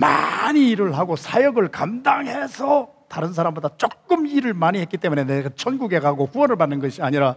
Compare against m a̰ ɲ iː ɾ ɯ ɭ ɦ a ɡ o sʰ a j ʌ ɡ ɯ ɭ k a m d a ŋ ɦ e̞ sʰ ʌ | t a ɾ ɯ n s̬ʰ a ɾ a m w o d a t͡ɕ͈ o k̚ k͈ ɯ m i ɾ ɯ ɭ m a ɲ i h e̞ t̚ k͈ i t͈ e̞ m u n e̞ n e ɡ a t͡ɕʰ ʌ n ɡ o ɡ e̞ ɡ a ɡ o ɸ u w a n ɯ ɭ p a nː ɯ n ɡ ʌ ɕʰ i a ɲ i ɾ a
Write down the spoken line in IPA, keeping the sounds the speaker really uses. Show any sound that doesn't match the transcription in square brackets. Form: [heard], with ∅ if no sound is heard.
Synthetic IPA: m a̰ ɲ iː ɾ ɯ ɭ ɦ a ɡ o sʰ a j ʌ ɡ ɯ ɭ k a m d a ŋ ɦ e̞ sʰ ʌ | t a ɾ ɯ n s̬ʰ a ɾ a m [b] o d a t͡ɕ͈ o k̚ k͈ ɯ m i ɾ ɯ ɭ m a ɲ i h e̞ t̚ k͈ i t͈ e̞ m u n e̞ n e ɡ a t͡ɕʰ ʌ n ɡ [u] ɡ e̞ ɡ a ɡ o ɸ u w [ʌ] n ɯ ɭ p a nː ɯ n ɡ ʌ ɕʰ i a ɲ i ɾ a